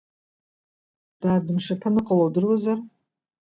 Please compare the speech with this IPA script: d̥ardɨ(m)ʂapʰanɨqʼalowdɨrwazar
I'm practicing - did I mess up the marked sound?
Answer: no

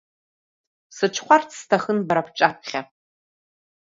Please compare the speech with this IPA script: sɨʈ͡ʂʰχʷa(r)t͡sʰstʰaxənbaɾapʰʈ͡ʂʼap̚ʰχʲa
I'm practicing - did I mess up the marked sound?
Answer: no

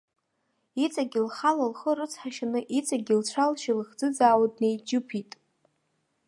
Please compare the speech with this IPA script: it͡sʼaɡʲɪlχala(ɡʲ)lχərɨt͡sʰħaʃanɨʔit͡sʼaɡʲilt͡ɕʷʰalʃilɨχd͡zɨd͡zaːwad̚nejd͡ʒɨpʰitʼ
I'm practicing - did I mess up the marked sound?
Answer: yes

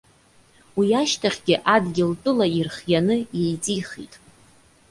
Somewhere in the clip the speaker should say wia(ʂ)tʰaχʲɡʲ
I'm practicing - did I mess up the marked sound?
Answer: yes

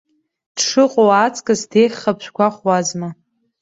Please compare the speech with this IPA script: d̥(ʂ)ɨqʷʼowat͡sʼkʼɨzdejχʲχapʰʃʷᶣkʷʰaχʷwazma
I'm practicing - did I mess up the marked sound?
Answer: no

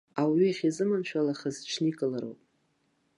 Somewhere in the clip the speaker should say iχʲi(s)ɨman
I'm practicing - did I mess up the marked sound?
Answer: yes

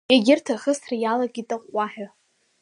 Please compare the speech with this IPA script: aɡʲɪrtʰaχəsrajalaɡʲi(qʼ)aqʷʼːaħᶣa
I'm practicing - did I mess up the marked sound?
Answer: yes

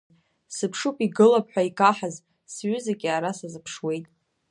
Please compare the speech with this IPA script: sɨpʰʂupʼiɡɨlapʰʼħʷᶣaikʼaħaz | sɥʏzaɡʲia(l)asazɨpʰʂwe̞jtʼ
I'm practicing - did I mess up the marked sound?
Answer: yes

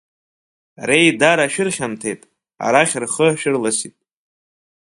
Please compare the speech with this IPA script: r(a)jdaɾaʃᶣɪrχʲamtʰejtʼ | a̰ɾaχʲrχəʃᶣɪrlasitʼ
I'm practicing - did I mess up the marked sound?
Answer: yes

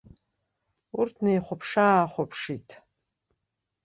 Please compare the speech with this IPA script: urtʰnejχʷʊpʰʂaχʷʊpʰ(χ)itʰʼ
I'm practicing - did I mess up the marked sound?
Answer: yes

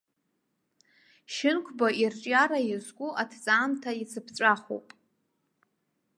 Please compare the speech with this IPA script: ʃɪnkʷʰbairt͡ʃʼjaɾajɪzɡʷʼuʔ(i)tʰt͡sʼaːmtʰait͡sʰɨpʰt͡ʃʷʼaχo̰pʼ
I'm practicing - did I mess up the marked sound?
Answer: yes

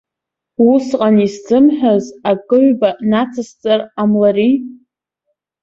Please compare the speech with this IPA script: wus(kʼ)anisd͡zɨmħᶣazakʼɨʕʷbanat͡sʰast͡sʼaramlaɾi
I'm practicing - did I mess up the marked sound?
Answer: yes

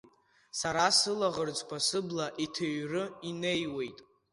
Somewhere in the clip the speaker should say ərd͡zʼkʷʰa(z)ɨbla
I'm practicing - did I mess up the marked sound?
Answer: yes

